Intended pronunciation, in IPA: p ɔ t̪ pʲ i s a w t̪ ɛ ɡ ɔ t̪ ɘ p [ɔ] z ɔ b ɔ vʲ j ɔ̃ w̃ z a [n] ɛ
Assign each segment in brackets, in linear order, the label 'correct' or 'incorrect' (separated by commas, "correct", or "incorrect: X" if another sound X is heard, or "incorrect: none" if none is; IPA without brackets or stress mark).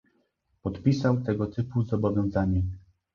incorrect: u, incorrect: ɲ